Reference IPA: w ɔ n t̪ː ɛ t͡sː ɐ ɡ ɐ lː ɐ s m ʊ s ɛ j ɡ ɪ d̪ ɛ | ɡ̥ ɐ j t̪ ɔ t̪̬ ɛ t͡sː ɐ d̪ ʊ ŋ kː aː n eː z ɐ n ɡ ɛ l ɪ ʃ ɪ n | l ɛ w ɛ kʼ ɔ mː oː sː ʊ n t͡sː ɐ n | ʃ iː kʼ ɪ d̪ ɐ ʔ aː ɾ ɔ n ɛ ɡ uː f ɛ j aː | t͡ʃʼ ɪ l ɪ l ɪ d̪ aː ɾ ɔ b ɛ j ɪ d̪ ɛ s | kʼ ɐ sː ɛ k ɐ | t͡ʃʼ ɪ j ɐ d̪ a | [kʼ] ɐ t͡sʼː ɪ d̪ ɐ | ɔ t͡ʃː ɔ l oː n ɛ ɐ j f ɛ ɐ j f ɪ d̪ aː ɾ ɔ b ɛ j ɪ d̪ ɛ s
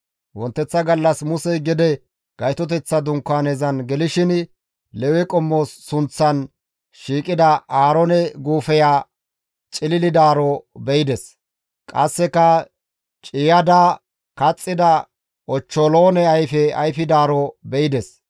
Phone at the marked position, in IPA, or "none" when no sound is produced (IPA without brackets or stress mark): k